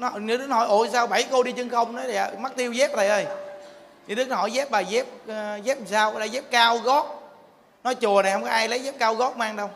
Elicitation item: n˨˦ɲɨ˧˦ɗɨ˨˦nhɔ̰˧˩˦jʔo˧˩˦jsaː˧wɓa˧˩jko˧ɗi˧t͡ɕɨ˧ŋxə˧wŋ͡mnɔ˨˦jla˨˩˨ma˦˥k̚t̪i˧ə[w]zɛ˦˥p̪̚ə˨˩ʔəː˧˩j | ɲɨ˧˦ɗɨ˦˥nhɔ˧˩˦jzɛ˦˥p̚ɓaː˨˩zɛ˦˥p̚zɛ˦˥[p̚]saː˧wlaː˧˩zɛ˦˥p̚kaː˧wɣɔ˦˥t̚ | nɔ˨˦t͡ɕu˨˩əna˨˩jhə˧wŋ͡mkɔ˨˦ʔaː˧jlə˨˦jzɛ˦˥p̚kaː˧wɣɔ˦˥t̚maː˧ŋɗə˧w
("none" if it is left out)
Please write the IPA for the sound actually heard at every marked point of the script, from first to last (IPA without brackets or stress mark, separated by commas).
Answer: w, p̚